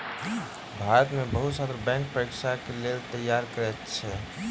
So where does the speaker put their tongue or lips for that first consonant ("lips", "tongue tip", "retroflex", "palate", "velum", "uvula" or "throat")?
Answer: lips